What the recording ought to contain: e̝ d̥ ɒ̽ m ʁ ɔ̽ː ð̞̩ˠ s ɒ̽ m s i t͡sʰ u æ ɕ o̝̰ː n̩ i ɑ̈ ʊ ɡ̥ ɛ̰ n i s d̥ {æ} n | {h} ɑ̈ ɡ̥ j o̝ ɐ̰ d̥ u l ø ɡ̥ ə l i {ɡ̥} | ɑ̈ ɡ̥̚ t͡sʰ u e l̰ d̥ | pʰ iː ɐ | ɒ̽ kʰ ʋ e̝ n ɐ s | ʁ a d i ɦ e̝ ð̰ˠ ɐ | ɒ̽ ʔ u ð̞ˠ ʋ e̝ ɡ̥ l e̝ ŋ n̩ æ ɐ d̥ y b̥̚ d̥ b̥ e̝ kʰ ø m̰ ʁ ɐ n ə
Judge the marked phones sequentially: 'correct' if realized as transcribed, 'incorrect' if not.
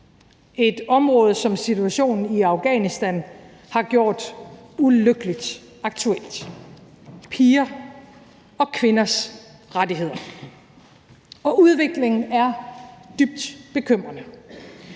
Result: correct, correct, incorrect

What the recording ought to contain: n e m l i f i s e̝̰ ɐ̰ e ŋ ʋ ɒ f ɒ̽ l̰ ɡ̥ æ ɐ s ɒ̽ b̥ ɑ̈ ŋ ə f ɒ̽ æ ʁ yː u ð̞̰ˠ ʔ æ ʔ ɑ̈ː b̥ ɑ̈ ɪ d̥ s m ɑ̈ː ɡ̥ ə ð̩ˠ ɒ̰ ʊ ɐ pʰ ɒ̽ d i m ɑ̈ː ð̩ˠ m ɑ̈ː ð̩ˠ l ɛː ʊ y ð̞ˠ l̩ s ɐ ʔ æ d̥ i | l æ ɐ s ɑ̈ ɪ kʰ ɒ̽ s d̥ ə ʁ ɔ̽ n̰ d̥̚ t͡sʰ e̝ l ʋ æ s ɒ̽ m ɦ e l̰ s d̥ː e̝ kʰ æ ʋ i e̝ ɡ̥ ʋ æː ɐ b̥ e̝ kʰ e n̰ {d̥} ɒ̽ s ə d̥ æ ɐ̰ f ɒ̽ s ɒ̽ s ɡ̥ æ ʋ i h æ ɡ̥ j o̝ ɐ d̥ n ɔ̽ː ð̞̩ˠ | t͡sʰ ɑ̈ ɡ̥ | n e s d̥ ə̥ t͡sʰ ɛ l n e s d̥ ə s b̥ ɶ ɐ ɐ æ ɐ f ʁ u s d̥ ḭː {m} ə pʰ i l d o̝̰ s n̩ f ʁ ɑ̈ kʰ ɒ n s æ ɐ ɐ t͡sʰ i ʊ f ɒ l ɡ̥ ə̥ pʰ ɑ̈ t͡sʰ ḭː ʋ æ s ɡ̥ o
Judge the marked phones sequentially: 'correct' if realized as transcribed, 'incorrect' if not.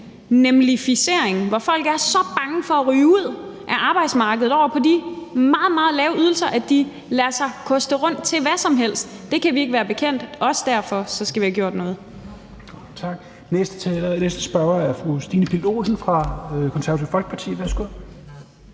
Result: correct, incorrect

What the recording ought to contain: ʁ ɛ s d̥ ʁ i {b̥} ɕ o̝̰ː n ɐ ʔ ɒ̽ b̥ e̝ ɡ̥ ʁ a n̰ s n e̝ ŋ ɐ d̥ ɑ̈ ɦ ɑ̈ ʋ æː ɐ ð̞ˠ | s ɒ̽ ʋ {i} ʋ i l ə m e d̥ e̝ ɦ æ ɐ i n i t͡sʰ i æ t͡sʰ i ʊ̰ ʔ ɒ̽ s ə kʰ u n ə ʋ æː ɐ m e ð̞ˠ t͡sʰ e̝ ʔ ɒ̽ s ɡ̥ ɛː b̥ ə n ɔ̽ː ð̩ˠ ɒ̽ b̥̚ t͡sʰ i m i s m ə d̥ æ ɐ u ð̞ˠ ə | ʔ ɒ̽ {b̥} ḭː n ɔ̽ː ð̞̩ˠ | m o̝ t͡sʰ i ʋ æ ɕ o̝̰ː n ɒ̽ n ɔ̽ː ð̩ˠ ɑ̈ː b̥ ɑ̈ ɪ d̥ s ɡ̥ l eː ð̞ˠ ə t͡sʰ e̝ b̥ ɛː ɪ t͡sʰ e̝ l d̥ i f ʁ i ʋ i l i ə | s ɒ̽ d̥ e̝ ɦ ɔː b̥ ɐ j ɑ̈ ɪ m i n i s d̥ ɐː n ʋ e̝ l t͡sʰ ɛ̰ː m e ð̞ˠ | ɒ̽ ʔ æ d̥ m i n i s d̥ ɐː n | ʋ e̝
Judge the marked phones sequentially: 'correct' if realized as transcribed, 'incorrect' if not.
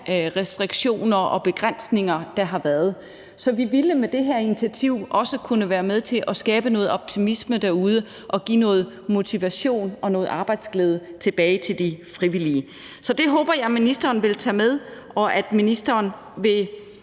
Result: incorrect, correct, incorrect

